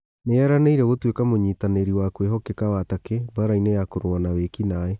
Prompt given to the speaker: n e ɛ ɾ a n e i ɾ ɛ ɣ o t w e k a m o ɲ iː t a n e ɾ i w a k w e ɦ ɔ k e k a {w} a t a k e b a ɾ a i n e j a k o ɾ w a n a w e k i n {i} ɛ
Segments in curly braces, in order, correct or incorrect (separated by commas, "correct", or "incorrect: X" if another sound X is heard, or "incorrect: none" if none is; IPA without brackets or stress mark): correct, incorrect: a